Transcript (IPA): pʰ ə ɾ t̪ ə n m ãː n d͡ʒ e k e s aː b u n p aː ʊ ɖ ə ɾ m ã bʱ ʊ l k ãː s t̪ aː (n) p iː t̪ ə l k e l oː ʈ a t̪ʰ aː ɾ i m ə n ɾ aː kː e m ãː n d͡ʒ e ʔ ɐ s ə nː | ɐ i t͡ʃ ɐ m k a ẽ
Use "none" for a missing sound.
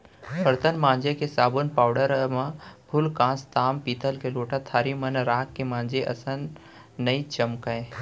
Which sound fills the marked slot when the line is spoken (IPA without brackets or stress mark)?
m